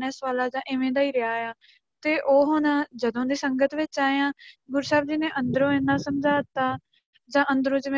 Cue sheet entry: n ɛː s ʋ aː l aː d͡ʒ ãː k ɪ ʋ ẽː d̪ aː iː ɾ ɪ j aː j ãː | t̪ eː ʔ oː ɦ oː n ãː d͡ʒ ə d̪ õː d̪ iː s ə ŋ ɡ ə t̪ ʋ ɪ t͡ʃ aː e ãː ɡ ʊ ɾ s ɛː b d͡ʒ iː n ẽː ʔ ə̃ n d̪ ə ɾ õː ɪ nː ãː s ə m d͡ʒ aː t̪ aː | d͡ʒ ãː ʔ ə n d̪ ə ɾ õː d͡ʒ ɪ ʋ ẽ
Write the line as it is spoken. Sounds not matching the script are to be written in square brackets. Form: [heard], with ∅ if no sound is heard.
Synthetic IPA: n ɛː s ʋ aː l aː d͡ʒ ãː [ʔ] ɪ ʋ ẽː d̪ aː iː ɾ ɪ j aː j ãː | t̪ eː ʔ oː ɦ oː n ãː d͡ʒ ə d̪ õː d̪ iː s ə ŋ ɡ ə t̪ ʋ ɪ t͡ʃ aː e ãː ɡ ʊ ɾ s [aː] b d͡ʒ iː n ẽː ʔ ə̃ n d̪ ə ɾ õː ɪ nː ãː s ə m d͡ʒ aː t̪ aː | d͡ʒ ãː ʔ ə n d̪ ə ɾ õː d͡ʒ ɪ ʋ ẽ